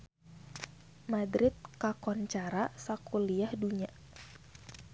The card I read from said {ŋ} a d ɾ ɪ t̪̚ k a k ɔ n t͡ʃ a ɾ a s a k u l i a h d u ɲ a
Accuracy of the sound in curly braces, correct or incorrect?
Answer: incorrect